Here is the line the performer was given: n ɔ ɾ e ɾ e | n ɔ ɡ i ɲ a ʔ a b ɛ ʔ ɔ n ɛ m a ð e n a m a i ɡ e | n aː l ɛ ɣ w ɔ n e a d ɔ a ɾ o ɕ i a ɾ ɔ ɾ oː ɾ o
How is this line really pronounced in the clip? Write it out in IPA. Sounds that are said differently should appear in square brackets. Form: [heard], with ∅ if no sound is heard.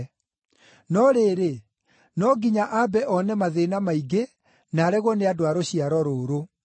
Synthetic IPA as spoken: n ɔ ɾ e ɾ e | n ɔ ɡ i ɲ a ʔ a b ɛ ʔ ɔ n ɛ m a ð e n a m a i ɡ e | n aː [ɾ] ɛ ɣ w ɔ n e a d [o] a ɾ o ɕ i a ɾ ɔ ɾ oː ɾ o